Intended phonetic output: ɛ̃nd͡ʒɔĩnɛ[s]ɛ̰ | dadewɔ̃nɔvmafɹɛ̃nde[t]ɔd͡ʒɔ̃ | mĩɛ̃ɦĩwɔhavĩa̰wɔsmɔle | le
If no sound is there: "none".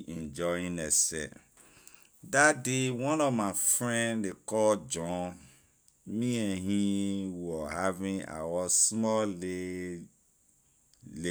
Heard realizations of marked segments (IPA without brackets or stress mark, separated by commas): s, k